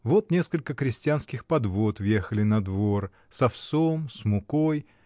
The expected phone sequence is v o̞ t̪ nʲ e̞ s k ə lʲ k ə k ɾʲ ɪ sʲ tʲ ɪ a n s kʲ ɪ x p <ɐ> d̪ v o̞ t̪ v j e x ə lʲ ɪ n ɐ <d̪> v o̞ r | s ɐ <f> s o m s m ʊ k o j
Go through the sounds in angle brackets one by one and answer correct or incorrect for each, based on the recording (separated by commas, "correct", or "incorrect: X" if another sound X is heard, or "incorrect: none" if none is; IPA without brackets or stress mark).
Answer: correct, correct, correct